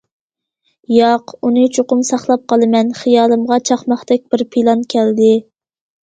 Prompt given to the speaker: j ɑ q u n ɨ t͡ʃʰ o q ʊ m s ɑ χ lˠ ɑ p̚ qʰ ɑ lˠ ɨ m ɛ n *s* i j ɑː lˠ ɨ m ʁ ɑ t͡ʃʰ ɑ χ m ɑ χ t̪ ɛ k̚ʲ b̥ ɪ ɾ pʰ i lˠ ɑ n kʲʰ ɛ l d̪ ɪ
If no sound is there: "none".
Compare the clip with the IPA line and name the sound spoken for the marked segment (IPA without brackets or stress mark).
χ